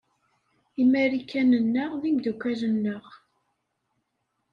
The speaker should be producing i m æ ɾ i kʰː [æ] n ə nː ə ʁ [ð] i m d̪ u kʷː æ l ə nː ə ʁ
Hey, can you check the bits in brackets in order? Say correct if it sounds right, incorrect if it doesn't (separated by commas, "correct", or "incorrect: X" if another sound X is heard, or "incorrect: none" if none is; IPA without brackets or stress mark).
correct, correct